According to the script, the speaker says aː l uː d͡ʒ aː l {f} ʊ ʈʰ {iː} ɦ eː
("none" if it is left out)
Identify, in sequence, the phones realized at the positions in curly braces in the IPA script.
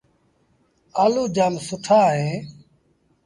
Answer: s, aː

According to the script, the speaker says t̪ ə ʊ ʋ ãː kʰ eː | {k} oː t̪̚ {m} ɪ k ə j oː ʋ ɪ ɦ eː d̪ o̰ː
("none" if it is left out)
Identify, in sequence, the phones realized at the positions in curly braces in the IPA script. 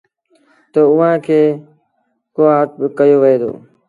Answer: k, b

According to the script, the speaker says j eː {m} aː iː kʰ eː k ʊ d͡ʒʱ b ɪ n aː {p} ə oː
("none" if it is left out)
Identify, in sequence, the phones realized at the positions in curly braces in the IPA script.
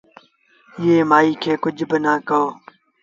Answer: m, k

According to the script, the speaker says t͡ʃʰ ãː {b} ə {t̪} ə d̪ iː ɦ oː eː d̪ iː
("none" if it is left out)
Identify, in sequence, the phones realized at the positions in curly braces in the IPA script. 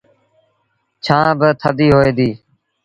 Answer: b, t̪ʰ

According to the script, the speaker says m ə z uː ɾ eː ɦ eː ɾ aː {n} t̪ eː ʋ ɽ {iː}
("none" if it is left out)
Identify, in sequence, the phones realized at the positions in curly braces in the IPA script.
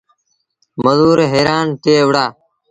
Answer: n, aː

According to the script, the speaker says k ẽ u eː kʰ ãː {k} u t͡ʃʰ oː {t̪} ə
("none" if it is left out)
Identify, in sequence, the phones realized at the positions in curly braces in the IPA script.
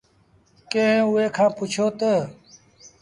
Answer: p, t̪

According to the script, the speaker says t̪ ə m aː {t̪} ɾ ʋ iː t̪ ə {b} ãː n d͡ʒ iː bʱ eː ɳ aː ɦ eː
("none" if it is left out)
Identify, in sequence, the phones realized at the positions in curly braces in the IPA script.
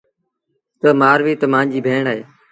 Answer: none, m

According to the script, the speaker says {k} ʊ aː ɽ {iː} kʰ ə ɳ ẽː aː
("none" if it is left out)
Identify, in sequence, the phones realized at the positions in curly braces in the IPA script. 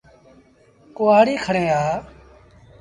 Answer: k, iː

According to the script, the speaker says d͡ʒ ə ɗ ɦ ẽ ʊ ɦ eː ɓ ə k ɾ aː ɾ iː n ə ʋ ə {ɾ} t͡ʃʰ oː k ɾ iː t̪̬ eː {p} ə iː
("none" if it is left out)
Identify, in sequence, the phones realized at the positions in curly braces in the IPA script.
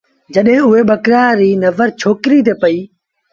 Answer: ɾ, p

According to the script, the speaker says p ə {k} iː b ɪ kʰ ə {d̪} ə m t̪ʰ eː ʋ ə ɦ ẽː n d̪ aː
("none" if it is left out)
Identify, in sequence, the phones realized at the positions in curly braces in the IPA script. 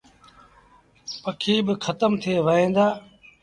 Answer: kʰ, t̪

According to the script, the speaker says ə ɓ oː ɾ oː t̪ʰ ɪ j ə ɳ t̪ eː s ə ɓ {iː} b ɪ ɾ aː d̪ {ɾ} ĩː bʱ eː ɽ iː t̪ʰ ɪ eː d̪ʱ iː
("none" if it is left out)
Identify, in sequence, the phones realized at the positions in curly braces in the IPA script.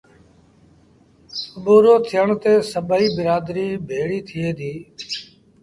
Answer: iː, ɾ

